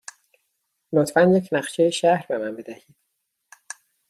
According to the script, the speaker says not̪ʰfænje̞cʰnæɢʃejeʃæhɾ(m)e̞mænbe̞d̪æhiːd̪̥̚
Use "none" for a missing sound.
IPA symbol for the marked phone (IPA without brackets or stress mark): b